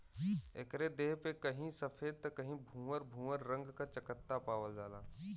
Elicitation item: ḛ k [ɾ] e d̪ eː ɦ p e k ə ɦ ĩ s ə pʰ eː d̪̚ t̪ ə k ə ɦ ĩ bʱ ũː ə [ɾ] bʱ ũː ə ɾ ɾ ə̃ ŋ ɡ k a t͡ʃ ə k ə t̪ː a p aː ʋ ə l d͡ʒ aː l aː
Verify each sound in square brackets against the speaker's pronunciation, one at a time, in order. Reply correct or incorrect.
correct, correct

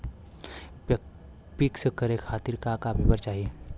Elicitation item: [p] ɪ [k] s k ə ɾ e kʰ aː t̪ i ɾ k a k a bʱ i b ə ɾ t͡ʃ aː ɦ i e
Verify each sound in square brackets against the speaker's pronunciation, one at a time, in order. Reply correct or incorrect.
correct, correct

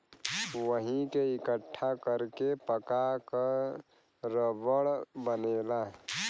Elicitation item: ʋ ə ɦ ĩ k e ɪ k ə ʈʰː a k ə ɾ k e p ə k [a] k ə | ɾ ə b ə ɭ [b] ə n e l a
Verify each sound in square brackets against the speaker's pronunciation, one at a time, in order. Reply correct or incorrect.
correct, correct

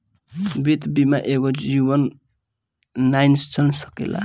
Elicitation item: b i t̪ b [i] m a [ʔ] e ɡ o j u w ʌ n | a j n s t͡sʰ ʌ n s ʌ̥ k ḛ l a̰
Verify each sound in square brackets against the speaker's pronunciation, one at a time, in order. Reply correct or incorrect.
correct, correct

